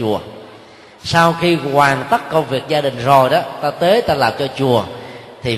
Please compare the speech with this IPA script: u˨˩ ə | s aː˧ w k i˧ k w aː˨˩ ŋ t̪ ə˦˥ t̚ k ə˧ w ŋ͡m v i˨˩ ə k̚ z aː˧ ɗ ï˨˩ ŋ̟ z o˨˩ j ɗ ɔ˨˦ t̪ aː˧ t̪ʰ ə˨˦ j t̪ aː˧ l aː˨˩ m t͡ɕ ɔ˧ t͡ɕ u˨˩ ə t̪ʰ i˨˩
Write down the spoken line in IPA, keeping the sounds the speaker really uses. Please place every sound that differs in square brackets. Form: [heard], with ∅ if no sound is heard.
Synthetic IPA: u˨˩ ə | s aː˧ w [x] i˧ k w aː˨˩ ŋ t̪ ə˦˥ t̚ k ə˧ w ŋ͡m v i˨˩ ə k̚ z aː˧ ɗ ï˨˩ ŋ̟ z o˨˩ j ɗ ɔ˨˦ t̪ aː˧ [t̪] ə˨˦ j t̪ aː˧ l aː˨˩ m t͡ɕ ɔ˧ t͡ɕ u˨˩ ə t̪ʰ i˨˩